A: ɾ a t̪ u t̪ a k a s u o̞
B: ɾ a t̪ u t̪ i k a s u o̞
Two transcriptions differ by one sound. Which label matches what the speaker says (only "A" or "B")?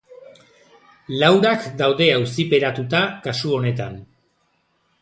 A